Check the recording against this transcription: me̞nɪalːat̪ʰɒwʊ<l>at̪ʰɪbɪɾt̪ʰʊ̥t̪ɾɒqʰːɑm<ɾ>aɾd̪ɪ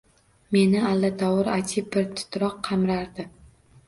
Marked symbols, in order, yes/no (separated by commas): no, yes